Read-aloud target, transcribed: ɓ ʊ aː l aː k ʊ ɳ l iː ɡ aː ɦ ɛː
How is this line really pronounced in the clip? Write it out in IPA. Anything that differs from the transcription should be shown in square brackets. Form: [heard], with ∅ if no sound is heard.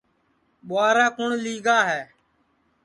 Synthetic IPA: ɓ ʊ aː [ɾ] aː k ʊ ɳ l iː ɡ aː ɦ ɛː

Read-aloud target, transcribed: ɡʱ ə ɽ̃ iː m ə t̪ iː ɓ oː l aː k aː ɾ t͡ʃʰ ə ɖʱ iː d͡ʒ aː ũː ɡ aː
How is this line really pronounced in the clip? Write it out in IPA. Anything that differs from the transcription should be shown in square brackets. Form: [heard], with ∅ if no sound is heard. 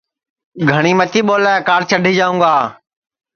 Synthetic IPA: ɡʱ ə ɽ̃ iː m ə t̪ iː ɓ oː l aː k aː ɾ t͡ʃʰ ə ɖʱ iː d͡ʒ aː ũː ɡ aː

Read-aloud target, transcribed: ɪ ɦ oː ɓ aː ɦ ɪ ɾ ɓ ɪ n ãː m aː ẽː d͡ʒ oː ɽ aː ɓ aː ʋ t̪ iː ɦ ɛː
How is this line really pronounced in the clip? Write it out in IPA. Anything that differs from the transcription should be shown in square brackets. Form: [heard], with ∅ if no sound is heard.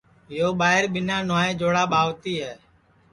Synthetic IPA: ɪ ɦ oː ɓ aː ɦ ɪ ɾ ɓ ɪ n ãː [n] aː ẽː d͡ʒ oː ɽ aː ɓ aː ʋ t̪ iː ɦ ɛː

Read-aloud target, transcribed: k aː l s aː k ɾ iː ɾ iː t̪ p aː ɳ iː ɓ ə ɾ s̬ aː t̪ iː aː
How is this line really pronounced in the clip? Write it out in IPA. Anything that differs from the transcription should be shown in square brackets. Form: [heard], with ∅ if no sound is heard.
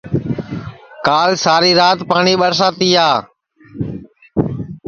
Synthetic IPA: k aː l s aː [∅] ɾ iː ɾ [aː] t̪ p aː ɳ iː ɓ ə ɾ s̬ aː t̪ iː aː

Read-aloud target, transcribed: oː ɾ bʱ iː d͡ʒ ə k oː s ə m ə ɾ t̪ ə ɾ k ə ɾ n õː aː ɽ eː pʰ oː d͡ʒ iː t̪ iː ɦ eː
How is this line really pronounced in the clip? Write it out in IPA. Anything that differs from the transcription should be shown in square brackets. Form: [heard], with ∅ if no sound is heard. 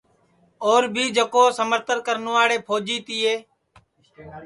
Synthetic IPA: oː ɾ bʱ iː d͡ʒ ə k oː s ə m ə ɾ t̪ ə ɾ k ə ɾ n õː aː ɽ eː pʰ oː d͡ʒ iː t̪ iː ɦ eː

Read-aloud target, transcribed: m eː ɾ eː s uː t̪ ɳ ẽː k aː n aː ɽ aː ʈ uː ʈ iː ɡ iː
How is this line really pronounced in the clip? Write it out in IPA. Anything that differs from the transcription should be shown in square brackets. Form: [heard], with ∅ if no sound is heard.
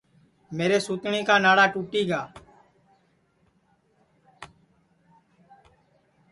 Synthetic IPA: m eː ɾ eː s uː t̪ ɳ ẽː k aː n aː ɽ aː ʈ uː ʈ iː ɡ [aː]

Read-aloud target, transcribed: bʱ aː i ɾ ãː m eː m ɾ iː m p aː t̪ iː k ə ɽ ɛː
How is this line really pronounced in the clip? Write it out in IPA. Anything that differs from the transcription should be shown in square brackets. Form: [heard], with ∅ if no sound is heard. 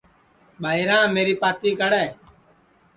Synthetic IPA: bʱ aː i ɾ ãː m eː [∅] ɾ iː [∅] p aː t̪ iː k ə ɽ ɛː

